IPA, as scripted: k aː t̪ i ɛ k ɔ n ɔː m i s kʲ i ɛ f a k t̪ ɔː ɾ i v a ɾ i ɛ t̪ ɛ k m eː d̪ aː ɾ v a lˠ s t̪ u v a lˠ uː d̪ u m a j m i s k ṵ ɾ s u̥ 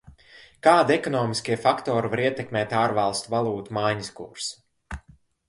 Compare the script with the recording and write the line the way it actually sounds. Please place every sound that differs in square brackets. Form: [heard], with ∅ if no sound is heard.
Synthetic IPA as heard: k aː [d̪] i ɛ k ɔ n ɔː m i s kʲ i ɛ f a k t̪ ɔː ɾ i v a ɾ i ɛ t̪ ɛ k m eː [t̪] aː ɾ v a lˠ s t̪ u v a lˠ uː [t̪] u m a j [ɲ] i s k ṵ ɾ s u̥